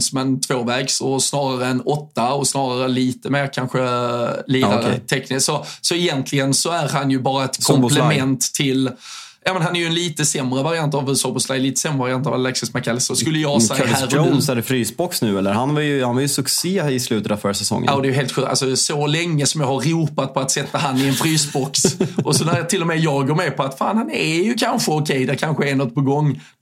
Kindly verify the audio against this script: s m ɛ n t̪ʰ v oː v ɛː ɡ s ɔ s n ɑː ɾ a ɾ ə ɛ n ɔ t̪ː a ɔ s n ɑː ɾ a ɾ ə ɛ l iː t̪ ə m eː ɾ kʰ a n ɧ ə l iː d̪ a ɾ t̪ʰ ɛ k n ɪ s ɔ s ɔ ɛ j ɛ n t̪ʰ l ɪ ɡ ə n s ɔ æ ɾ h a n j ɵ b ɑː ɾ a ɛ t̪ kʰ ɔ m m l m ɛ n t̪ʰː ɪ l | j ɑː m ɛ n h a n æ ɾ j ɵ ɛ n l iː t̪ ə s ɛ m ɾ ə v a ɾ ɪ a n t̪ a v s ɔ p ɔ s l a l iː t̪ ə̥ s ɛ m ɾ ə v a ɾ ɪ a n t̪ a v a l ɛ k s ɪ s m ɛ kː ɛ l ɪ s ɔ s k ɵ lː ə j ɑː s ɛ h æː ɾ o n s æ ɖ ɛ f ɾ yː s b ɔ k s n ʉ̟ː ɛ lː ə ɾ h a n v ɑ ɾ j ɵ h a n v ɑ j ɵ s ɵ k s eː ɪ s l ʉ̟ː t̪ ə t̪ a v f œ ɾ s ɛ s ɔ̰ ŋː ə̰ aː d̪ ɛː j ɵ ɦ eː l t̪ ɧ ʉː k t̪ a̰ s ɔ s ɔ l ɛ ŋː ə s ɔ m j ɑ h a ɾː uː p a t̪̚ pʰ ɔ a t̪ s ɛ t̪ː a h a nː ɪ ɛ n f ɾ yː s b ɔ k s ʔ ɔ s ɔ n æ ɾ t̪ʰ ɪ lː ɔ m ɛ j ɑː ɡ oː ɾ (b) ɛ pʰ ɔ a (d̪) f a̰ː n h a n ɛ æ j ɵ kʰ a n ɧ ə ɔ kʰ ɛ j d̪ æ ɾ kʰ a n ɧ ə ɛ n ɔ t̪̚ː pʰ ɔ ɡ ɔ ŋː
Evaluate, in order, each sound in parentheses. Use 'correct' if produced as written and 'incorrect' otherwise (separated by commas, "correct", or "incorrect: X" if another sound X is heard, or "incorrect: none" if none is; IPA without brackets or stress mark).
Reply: incorrect: m, incorrect: t̪